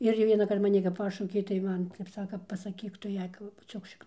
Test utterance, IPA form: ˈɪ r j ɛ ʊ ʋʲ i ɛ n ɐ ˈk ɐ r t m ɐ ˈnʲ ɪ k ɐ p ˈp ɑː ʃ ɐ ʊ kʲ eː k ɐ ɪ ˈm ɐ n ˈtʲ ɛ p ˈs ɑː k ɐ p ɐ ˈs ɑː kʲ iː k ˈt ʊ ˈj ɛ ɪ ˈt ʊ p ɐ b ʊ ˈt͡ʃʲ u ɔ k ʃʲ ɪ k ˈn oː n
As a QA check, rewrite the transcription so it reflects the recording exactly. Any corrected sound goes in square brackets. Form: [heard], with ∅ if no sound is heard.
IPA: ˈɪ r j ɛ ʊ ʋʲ i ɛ n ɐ ˈk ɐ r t m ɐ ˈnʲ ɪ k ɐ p ˈp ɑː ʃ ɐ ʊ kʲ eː [t] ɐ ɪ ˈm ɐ n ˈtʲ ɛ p ˈs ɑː k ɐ p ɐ ˈs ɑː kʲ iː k ˈt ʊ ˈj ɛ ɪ [ˈk] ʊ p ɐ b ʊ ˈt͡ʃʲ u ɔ k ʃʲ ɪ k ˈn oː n